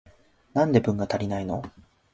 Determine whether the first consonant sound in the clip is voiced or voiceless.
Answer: voiced